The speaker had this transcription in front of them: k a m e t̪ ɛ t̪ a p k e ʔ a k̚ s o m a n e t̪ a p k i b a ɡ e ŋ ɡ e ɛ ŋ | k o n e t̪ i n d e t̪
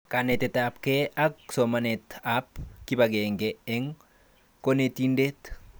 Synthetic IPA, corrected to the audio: k a n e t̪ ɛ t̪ a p k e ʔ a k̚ s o m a n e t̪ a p k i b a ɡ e ŋ ɡ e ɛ ŋ | k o n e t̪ i n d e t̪